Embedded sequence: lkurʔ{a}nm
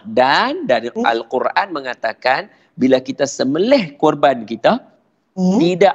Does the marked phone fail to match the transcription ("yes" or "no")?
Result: no